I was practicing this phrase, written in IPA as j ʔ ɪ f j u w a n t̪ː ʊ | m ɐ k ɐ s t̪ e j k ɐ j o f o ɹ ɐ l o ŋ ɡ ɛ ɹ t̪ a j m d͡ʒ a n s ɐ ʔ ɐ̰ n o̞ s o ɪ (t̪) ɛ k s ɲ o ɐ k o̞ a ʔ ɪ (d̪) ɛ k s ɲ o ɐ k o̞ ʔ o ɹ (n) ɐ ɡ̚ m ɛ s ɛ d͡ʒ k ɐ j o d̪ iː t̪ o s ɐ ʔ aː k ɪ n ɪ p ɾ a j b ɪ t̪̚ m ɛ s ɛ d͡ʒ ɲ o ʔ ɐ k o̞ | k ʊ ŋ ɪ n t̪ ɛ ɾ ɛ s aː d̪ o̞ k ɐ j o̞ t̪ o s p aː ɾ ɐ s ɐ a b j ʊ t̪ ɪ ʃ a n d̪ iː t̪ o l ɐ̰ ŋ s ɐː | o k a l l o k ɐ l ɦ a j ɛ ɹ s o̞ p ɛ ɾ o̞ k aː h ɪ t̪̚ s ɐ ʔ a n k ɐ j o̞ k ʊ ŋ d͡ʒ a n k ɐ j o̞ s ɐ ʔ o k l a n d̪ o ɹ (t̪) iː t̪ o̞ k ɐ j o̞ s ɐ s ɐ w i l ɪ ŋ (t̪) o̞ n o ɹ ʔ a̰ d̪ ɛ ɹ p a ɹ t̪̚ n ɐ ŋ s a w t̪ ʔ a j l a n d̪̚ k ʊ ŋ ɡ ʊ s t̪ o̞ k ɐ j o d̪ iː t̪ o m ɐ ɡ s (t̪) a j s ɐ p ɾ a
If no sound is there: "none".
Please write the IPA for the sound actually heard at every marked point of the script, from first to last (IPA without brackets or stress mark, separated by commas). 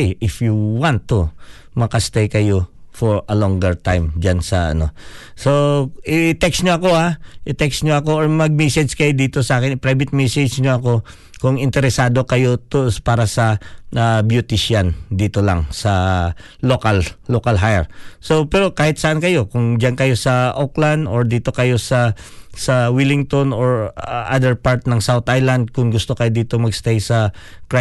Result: t̪, t̪, m, d̪, t̪, t̪